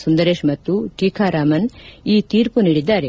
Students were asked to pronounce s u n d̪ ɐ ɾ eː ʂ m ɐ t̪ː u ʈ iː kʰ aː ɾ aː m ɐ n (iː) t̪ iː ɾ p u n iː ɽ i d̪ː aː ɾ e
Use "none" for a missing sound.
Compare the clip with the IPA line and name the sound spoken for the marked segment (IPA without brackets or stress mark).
iː